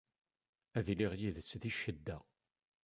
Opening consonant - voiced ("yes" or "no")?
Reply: yes